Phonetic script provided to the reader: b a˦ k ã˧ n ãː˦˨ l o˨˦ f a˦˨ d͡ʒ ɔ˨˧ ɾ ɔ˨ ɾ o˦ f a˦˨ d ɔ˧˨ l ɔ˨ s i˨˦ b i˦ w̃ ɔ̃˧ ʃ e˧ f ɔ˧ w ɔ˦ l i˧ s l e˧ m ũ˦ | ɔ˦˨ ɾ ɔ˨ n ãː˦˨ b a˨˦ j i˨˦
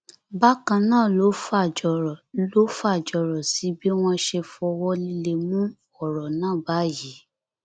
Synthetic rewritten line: b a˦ k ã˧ n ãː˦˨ l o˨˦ f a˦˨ d͡ʒ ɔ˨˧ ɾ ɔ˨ l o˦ f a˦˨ d͡ʒ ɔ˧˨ ɾ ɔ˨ s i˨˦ b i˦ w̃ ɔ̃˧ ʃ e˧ f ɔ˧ w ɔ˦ l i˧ l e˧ m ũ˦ | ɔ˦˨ ɾ ɔ˨ n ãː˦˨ b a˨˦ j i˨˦